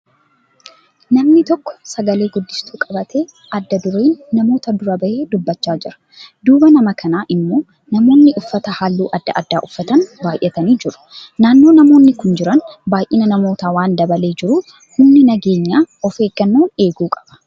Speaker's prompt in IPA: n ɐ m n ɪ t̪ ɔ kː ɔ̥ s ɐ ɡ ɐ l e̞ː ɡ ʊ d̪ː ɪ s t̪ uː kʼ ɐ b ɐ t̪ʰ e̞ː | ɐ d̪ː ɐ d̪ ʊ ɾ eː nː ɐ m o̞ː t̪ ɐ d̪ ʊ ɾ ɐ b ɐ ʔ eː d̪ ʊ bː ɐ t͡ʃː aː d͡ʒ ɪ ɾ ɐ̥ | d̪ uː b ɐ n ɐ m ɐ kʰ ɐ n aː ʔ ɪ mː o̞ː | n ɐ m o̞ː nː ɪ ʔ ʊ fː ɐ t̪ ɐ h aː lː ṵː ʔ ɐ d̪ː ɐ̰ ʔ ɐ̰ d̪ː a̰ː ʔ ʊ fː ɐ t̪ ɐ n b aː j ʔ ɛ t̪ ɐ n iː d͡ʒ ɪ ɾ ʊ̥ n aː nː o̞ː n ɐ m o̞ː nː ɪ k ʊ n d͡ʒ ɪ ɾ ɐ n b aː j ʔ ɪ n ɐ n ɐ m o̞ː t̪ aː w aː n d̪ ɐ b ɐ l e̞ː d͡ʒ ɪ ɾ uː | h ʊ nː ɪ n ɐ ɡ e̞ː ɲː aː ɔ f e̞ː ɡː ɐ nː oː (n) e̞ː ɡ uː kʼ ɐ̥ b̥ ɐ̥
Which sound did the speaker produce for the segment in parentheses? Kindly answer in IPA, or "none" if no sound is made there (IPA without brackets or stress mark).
n